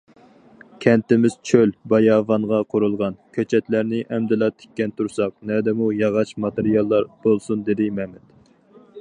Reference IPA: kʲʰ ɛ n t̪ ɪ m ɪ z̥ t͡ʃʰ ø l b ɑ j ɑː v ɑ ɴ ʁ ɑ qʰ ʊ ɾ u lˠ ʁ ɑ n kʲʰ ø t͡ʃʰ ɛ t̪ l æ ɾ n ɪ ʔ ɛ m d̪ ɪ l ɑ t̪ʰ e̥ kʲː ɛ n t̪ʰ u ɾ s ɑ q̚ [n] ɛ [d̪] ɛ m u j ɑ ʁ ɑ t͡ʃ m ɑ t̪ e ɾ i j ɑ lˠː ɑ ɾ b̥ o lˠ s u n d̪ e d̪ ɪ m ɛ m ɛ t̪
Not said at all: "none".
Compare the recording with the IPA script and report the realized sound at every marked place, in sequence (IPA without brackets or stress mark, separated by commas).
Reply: n, d̪